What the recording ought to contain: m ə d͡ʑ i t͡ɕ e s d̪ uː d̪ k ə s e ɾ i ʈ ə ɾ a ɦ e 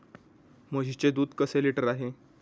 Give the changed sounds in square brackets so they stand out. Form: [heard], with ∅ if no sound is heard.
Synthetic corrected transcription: m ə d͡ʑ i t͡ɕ e [∅] d̪ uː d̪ k ə s e [l] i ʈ ə ɾ a ɦ e